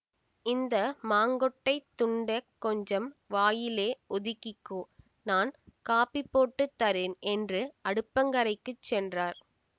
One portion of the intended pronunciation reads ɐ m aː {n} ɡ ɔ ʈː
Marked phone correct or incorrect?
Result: incorrect